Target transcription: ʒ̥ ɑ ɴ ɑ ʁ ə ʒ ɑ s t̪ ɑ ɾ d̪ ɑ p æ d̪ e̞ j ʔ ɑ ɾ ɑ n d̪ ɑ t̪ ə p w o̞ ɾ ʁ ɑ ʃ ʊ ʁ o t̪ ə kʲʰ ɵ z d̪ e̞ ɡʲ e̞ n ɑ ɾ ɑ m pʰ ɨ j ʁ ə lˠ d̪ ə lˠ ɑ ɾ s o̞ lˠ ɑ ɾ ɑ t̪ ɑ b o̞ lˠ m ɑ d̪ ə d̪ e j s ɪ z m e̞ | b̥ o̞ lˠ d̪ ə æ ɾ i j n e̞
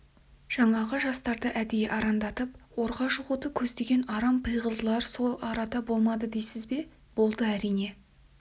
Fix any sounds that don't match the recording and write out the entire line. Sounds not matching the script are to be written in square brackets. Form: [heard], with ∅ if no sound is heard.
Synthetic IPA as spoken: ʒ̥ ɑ ɴ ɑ ʁ ə ʒ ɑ s t̪ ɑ ɾ d̪ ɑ [ʔ] æ d̪ e̞ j ʔ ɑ ɾ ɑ n d̪ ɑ t̪ ə p w o̞ ɾ ʁ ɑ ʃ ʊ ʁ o t̪ ə kʲʰ ɵ z d̪ e̞ ɡʲ e̞ n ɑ ɾ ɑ m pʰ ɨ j ʁ ə lˠ d̪ ə lˠ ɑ ɾ s o̞ lˠ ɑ ɾ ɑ [d̪] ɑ b o̞ lˠ m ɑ d̪ ə d̪ e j s ɪ z [b] e̞ | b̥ o̞ lˠ d̪ ə æ ɾ i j n e̞